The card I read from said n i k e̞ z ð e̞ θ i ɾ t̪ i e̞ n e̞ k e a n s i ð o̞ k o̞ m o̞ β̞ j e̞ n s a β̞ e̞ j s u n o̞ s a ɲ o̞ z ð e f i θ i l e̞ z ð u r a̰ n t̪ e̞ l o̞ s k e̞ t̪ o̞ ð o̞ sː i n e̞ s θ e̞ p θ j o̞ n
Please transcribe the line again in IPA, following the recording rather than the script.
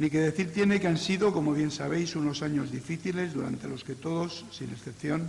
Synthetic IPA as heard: n i k e̞ ð e̞ θ i ɾ t̪ j e̞ n e̞ k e a n s i ð o̞ k o̞ m o̞ β̞ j e̞ n s a β̞ e̞ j s u n o̞ s a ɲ o̞ z ð i f i θ i l e̞ z ð u ɾ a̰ n t̪ e̞ l o̞ s k e̞ t̪ o̞ ð o̞ sː i n e̞ s θ e̞ p θ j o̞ n